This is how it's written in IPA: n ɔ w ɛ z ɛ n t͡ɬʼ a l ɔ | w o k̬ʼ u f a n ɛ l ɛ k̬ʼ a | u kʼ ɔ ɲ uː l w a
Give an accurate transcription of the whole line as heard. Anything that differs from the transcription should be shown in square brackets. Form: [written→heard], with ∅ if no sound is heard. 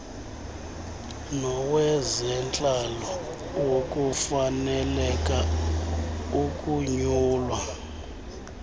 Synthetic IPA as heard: n ɔ w ɛ z ɛ n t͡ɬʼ a l ɔ | w o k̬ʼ u f a n ɛ l ɛ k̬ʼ a | u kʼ [ɔ→u] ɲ uː l w a